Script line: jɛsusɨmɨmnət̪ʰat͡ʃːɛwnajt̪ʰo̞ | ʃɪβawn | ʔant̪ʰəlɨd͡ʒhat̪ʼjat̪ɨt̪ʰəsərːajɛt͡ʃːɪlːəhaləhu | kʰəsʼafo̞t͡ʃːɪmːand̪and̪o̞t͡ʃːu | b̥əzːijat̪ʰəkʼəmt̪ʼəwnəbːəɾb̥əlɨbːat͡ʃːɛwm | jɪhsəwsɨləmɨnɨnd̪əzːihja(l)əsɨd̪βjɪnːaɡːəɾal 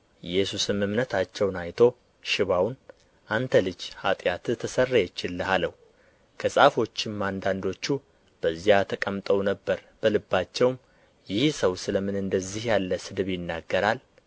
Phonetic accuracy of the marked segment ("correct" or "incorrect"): incorrect